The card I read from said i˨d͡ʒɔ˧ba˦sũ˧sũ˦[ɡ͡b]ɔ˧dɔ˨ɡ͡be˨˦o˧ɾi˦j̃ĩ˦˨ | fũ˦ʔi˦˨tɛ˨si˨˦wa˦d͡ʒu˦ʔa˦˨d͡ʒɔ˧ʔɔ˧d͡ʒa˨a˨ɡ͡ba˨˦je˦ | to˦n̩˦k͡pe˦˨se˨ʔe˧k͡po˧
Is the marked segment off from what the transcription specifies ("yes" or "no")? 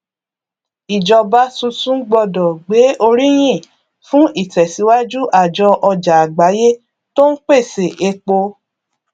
no